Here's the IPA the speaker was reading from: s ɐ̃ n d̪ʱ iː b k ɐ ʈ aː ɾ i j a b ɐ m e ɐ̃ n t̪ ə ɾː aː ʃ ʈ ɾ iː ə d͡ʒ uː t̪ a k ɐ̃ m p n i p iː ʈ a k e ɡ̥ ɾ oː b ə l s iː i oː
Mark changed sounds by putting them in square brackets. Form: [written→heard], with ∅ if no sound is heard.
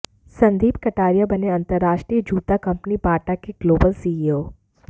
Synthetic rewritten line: s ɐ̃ n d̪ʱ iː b k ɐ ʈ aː ɾ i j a b ɐ [m→n] e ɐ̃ n t̪ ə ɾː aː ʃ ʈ ɾ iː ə d͡ʒ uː t̪ a k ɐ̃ m p n i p [iː→aː] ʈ a k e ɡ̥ [ɾ→l] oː b ə l s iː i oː